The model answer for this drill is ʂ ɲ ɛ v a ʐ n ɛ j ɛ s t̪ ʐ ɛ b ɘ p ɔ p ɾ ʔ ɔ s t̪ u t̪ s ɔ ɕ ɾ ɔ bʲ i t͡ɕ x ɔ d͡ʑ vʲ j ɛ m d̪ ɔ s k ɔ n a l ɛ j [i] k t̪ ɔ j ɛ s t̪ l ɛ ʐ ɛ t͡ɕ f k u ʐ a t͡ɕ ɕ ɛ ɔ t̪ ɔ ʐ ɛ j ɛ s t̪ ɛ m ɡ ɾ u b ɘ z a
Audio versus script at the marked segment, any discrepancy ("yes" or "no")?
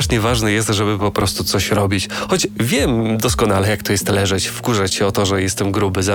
yes